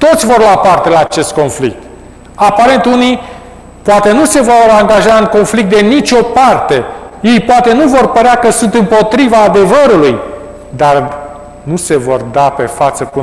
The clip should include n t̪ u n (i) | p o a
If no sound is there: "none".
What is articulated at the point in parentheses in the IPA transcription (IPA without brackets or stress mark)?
i